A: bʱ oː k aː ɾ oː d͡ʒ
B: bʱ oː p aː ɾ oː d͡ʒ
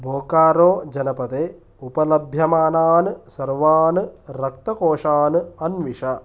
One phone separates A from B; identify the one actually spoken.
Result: A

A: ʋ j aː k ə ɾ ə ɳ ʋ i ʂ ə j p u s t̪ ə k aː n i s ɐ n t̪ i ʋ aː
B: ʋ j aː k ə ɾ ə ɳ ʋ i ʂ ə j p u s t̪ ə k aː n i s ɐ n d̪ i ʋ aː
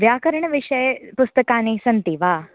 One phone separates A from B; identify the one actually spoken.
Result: A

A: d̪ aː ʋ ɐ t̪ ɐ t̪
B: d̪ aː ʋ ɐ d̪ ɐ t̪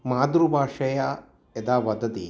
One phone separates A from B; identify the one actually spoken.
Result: B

